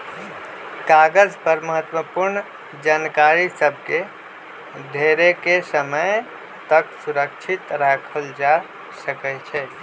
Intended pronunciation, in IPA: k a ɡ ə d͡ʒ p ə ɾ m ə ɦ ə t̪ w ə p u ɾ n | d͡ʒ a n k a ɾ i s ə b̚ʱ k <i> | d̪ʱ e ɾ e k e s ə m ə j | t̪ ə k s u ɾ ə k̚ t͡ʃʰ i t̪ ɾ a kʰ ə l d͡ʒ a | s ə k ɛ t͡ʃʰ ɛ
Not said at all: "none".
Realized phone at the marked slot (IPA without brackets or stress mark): e